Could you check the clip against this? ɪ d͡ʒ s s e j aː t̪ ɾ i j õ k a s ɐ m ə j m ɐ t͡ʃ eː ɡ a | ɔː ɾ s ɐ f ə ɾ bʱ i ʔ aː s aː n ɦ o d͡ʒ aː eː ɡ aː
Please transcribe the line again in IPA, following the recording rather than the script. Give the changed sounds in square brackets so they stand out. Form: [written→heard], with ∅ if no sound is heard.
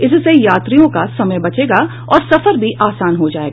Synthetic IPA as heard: ɪ [d͡ʒ→∅] s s e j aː t̪ ɾ i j õ k a s ɐ m ə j [m→b] ɐ t͡ʃ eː ɡ a | ɔː ɾ s ɐ f ə ɾ bʱ i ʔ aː s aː n ɦ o d͡ʒ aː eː ɡ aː